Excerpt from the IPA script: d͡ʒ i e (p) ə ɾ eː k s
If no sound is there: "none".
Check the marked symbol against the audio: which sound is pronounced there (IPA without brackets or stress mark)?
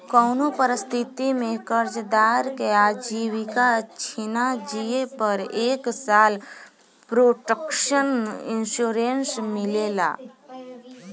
p